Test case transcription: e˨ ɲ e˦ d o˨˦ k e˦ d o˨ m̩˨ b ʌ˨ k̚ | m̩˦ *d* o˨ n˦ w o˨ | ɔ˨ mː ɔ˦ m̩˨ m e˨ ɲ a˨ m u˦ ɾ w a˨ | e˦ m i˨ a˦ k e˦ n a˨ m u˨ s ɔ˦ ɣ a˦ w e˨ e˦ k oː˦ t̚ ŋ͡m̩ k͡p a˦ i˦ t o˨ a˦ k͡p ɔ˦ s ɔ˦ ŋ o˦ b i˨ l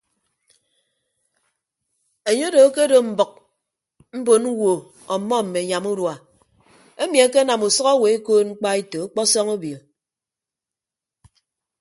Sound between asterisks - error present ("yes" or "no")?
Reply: yes